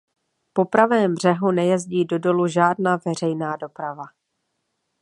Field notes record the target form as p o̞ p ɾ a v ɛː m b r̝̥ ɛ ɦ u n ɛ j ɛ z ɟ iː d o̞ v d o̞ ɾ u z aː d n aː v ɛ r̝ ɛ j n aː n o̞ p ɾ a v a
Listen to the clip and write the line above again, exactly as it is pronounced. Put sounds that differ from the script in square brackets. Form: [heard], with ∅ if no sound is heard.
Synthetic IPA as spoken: p o̞ p ɾ a v ɛː m b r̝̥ ɛ ɦ u n ɛ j ɛ z ɟ iː d o̞ [∅] d o̞ [l] u [ʒ] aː d n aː v ɛ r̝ ɛ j n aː [d] o̞ p ɾ a v a